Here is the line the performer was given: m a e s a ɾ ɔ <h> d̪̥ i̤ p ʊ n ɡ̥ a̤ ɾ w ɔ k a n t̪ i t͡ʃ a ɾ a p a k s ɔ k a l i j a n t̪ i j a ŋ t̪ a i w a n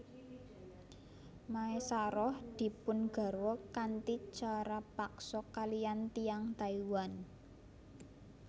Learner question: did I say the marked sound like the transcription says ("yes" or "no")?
yes